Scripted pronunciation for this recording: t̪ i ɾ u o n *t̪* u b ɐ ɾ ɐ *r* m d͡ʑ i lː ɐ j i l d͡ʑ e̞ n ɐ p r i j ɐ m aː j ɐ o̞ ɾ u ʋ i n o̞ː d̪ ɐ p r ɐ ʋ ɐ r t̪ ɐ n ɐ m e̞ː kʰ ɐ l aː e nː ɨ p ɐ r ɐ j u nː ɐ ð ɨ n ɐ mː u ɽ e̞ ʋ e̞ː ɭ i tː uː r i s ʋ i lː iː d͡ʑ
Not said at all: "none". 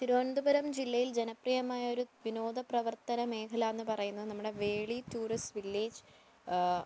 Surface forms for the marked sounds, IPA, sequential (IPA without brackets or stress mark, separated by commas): d̪, none